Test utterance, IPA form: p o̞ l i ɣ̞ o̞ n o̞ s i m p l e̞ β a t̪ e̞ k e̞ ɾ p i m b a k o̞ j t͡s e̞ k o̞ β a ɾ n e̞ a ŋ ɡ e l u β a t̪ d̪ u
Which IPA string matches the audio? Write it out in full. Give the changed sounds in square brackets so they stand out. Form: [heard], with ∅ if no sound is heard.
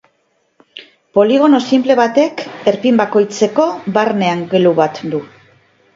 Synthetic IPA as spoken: p o̞ l i ɣ̞ o̞ n o̞ s i m p l e̞ β a t̪ e̞ k e̞ ɾ p i m b a k o̞ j t͡s e̞ k o̞ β a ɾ n e̞ a ŋ ɡ e l u β a t̪ d̪ u